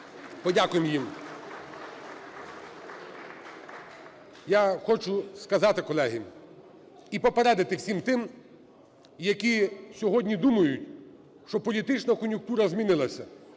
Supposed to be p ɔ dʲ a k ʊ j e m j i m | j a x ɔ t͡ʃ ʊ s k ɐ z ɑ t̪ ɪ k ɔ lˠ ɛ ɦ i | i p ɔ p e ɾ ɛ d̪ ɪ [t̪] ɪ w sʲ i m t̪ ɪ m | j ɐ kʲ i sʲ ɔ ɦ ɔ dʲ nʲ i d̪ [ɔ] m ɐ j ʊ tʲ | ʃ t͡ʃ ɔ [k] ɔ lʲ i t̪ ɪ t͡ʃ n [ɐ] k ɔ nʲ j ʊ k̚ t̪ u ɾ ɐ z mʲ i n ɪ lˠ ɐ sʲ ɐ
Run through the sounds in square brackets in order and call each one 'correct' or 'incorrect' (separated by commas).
correct, incorrect, incorrect, correct